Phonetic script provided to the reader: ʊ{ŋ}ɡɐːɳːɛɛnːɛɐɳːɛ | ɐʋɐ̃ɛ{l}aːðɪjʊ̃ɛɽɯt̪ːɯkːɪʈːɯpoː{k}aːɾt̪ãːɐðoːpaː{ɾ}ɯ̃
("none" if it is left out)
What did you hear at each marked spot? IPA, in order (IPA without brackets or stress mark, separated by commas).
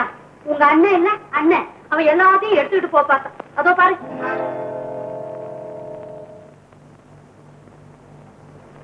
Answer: ŋ, lː, p, ɾ